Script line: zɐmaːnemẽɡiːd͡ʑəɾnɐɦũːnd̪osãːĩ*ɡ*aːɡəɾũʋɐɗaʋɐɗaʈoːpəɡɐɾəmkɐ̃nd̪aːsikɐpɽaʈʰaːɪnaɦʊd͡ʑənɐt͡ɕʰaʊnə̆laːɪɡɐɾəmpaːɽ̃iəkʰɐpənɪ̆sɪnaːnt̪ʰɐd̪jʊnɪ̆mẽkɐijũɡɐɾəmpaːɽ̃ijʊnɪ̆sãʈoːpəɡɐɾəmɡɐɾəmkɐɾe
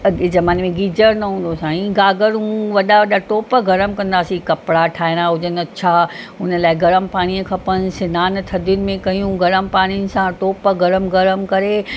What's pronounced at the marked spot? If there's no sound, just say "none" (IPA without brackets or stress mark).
ɡ